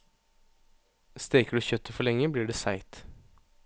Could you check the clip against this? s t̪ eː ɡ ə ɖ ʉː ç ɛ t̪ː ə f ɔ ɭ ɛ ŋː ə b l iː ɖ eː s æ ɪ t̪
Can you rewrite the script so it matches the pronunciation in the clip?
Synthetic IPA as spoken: s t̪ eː k ə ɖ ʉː ç œ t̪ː ə f ɔ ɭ ɛ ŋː ə b l iː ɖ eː s æ ɪ t̪